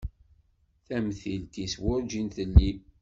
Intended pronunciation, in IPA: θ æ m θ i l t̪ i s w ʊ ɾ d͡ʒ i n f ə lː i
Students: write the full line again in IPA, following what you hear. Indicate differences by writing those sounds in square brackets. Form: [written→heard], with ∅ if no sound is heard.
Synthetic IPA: θ æ m θ i l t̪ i s w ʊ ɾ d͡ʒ i n [f→θ] ə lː i